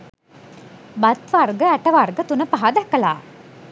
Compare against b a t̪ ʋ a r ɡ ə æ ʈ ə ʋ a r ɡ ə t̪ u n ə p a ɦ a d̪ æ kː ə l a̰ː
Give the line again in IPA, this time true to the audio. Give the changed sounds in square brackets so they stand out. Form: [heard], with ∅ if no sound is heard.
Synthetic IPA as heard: b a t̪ ʋ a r ɡ ə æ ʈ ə ʋ a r ɡ ə t̪ u n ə p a ɦ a d̪ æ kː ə l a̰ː